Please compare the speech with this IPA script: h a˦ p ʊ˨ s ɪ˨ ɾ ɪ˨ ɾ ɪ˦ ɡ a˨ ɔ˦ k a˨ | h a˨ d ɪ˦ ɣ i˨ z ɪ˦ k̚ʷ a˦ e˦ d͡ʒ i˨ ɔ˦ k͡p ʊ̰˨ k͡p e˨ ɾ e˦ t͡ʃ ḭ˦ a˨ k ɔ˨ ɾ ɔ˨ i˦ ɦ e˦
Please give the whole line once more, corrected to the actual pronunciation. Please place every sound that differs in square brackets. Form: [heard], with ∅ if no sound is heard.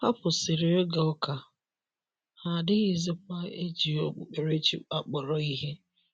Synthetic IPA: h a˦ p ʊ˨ s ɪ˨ ɾ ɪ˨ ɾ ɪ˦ ɡ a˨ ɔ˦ k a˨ | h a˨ d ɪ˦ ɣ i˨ z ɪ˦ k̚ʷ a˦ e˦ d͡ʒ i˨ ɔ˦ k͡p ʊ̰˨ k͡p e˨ ɾ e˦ t͡ʃ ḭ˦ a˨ [k͡p] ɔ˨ ɾ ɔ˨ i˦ ɦ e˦